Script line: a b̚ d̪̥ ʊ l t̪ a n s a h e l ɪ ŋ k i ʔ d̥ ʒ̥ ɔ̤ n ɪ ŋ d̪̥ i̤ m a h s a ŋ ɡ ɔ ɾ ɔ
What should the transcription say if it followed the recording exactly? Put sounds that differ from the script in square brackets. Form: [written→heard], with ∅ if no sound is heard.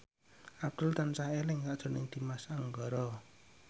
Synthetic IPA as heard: a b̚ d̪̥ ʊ l t̪ a n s a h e l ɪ ŋ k [i→a] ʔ d̥ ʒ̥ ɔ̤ n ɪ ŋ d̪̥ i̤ m a [h→∅] s a ŋ ɡ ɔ ɾ ɔ